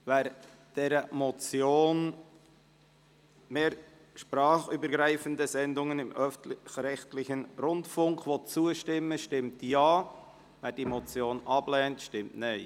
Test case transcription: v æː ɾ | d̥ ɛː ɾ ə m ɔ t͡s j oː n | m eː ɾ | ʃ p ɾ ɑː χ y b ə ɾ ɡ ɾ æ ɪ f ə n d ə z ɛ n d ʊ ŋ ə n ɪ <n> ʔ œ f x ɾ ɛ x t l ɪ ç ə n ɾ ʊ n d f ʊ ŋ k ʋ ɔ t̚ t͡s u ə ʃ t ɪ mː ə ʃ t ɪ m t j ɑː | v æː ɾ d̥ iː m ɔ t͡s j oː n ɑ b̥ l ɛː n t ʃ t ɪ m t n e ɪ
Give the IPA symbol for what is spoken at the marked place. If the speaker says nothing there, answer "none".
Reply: m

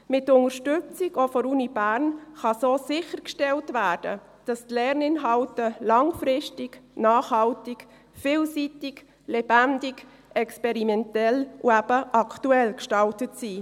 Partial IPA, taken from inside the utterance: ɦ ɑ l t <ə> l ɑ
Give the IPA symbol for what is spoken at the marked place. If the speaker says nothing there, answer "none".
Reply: ə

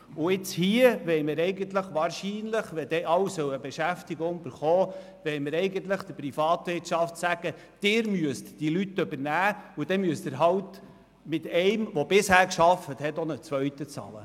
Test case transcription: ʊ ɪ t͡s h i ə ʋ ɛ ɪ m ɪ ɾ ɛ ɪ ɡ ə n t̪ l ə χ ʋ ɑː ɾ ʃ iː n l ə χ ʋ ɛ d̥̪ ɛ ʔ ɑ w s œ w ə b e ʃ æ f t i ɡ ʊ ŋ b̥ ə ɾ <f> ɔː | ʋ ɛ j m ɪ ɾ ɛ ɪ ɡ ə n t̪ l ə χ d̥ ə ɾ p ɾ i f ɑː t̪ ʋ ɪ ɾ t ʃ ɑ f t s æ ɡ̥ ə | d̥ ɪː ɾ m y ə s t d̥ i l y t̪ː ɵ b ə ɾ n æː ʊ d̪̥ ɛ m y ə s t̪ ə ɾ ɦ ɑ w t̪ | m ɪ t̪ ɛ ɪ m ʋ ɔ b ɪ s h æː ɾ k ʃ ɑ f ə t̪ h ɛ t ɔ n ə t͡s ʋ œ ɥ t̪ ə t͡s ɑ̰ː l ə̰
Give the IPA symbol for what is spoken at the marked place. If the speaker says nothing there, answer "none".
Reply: χ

